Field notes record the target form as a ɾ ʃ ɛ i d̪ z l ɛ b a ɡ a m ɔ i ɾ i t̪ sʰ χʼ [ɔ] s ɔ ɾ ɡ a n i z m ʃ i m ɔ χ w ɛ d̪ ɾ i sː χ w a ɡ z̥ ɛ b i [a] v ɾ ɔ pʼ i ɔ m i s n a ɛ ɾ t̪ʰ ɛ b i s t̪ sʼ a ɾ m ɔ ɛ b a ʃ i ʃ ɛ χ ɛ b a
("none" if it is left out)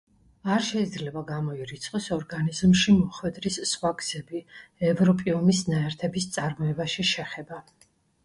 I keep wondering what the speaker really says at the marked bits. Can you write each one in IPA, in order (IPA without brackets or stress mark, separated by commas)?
ɔ, ɛ